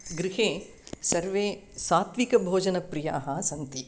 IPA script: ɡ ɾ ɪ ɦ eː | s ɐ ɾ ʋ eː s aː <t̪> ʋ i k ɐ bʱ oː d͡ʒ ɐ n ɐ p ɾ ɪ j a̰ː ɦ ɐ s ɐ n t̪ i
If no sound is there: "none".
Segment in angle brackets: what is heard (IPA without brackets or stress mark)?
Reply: t̪